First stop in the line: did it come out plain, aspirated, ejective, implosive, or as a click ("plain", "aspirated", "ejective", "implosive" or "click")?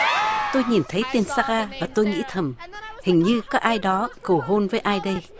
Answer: plain